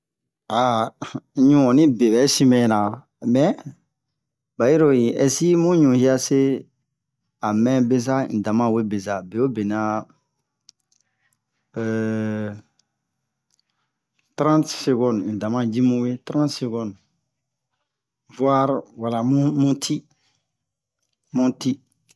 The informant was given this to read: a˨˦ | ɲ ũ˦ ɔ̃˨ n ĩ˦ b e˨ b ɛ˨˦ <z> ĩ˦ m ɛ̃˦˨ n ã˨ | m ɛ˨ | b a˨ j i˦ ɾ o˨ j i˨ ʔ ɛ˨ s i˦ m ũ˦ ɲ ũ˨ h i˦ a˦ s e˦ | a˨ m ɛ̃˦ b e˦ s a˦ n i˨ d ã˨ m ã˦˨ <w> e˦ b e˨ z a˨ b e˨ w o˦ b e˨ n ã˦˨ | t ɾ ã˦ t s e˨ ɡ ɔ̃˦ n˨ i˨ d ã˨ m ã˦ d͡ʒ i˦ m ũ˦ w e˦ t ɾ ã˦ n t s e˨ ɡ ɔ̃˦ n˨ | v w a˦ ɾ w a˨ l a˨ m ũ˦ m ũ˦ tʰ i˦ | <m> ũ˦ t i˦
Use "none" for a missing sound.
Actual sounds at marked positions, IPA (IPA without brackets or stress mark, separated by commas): s, w, m